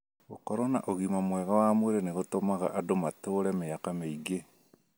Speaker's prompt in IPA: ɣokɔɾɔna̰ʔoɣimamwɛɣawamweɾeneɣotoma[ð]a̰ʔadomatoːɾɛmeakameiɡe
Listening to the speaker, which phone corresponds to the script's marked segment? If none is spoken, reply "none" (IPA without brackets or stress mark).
ɣ